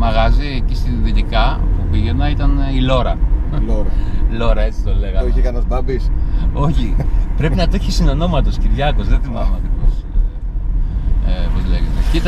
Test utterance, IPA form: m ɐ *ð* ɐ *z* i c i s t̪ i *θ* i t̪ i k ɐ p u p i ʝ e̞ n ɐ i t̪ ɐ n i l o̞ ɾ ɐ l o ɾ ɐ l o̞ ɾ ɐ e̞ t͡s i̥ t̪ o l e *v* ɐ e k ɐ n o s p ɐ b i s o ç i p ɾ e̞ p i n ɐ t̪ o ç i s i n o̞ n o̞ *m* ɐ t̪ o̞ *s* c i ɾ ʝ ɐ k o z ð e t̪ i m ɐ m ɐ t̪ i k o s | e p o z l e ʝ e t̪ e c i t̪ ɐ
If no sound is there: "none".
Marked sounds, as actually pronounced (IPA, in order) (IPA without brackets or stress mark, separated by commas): ɣ, z, ð, ɣ, m, s